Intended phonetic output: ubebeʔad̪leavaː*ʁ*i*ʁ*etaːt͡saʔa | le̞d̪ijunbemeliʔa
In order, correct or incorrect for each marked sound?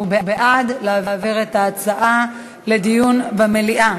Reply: incorrect, correct

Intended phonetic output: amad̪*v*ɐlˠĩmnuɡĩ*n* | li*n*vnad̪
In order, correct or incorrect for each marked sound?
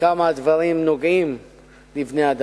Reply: correct, incorrect, incorrect

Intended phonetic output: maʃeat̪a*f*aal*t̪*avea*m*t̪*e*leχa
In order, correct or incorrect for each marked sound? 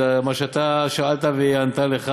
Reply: incorrect, correct, incorrect, incorrect

